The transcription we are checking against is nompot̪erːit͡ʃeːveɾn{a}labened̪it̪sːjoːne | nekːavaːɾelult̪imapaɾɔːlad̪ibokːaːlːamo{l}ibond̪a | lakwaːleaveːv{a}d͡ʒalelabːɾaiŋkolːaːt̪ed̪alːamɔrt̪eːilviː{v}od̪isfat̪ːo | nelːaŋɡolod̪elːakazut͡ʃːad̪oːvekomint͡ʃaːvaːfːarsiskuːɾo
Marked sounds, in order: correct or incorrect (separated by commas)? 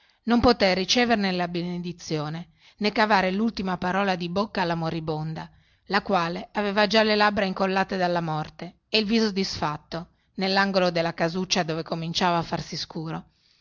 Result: incorrect, incorrect, correct, incorrect